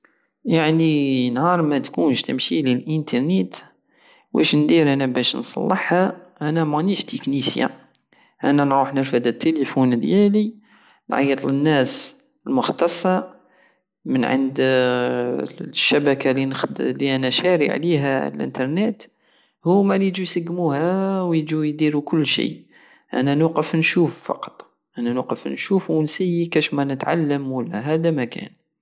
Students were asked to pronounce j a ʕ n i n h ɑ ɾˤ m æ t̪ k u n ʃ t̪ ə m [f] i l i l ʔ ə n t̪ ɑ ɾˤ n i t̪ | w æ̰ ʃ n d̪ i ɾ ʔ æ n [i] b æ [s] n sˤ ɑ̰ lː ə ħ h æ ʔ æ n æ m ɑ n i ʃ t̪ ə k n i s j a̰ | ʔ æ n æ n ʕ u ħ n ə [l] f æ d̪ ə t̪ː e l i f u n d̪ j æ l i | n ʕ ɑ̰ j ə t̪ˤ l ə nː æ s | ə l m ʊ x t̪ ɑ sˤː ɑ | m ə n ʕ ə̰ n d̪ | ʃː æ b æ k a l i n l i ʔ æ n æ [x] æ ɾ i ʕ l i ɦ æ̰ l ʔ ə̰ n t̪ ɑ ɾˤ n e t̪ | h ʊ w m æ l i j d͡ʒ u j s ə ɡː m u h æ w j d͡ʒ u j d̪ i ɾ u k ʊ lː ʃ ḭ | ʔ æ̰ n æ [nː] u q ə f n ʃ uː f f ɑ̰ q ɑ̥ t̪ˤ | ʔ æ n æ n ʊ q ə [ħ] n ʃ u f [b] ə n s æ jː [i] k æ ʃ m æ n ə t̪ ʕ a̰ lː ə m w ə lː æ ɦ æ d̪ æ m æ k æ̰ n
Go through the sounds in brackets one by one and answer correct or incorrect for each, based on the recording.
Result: incorrect, incorrect, incorrect, incorrect, incorrect, incorrect, incorrect, incorrect, correct

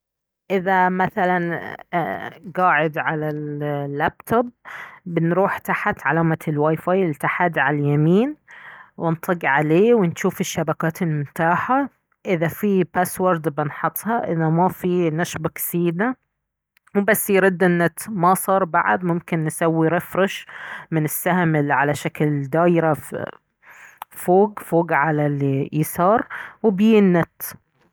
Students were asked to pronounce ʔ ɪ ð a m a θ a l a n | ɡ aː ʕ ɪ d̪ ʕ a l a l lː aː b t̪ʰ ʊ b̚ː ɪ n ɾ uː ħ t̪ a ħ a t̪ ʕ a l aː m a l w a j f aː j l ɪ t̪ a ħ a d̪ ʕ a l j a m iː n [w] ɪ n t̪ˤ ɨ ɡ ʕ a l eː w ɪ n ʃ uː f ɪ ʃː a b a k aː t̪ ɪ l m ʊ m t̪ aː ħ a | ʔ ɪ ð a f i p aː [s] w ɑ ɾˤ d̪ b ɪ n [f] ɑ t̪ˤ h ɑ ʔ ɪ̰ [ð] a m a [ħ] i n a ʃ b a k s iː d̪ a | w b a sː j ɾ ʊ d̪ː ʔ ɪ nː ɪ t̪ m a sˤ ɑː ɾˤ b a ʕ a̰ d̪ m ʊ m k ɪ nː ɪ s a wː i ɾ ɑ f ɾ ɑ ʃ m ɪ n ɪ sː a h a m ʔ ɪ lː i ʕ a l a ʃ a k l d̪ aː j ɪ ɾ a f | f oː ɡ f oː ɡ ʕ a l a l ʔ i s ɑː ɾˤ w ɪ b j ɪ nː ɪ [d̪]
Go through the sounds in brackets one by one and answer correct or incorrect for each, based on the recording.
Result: correct, correct, incorrect, correct, incorrect, incorrect

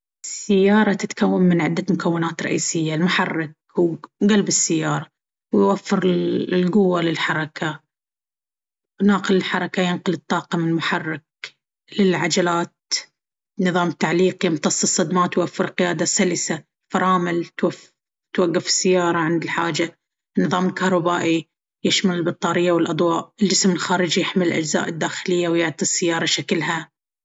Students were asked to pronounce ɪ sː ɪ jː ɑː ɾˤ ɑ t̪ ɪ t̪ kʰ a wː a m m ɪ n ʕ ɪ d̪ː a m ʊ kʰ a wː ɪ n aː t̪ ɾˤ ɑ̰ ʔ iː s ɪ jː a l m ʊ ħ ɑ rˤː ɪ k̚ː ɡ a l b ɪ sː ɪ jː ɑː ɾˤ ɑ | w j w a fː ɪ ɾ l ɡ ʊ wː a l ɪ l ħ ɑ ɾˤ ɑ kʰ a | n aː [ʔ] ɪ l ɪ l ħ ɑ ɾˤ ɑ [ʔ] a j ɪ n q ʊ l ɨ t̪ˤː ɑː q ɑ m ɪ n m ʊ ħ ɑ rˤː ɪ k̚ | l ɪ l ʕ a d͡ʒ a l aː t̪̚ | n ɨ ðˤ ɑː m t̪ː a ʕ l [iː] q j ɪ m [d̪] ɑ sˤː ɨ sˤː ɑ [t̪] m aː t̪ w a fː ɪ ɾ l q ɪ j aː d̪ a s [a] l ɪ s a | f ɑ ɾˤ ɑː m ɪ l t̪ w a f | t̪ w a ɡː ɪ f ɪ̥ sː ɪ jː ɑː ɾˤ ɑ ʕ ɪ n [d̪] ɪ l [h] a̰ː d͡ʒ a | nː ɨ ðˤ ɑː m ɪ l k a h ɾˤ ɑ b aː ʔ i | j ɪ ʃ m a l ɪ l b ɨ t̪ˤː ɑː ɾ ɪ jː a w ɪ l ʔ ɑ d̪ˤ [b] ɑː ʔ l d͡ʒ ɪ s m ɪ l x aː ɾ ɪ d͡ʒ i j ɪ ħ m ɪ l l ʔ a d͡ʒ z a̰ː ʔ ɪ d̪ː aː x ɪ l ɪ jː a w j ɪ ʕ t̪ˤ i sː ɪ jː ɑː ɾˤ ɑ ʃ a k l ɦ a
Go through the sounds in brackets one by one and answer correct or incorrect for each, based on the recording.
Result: incorrect, incorrect, correct, incorrect, incorrect, correct, correct, incorrect, incorrect

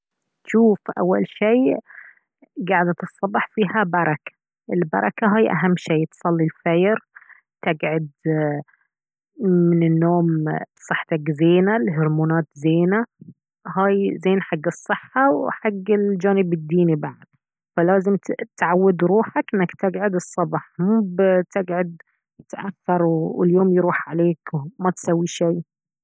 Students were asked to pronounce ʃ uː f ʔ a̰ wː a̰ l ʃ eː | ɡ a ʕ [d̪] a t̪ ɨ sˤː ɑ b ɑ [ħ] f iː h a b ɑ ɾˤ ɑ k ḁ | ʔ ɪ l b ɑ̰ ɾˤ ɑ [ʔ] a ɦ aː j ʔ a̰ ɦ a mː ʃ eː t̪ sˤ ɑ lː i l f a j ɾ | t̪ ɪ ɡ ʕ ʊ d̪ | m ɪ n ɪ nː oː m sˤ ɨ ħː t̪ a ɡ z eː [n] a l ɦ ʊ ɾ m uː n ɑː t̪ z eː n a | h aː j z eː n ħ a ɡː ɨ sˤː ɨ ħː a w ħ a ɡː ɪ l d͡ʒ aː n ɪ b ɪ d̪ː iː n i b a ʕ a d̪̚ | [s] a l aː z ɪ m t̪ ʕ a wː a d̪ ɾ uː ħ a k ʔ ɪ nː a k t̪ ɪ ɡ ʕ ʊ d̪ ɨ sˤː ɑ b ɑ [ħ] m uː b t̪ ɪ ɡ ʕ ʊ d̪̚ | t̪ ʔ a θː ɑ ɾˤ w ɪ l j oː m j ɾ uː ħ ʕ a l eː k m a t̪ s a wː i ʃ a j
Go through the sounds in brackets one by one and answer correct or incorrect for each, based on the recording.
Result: correct, correct, incorrect, correct, incorrect, correct

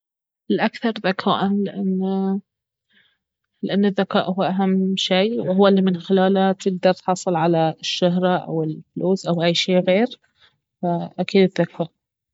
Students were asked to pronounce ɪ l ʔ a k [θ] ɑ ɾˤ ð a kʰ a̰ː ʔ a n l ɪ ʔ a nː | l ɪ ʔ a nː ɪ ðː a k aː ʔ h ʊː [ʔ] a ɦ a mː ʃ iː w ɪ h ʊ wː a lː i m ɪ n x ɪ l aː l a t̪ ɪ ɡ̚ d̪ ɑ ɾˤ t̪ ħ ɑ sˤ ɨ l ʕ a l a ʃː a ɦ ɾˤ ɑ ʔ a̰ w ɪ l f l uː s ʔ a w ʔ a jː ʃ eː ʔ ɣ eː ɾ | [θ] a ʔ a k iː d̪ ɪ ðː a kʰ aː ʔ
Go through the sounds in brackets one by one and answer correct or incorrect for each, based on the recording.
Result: correct, correct, incorrect

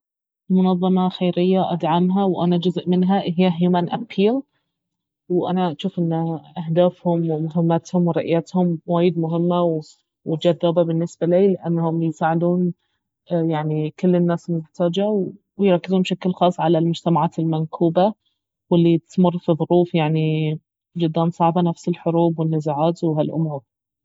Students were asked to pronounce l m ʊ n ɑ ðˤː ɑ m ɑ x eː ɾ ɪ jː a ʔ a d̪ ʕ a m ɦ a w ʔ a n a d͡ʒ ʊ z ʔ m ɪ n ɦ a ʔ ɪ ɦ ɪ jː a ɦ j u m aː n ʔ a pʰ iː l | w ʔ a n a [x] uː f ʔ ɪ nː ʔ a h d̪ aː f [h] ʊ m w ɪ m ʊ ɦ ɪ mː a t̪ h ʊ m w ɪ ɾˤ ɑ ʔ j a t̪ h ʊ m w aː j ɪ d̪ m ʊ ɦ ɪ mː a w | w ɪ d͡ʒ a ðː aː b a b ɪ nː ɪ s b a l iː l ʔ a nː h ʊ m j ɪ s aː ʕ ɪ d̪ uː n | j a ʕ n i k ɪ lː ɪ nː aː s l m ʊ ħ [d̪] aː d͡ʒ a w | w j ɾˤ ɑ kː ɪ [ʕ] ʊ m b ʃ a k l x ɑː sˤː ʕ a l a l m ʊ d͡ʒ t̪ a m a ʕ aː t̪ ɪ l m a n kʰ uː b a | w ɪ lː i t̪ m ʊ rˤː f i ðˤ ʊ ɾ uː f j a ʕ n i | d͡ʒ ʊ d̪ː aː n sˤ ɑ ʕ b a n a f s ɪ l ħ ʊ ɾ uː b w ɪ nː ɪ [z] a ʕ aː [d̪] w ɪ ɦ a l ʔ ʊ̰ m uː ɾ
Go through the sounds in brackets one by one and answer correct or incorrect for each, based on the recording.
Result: incorrect, correct, incorrect, incorrect, correct, incorrect

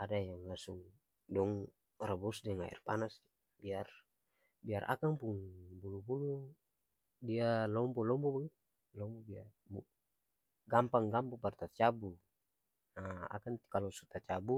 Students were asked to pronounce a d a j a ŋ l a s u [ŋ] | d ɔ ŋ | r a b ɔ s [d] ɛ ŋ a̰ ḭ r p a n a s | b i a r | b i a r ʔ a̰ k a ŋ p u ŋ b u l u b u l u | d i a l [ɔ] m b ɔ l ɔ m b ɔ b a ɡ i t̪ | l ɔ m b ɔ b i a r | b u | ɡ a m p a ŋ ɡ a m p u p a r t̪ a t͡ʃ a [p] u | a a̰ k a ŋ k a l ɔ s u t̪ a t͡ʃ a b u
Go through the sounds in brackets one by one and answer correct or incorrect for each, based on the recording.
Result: correct, correct, correct, incorrect

